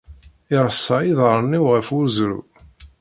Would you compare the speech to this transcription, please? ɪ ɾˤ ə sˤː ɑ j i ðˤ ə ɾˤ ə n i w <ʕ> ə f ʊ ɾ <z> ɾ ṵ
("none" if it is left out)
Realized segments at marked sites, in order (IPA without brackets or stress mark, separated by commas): ʁ, z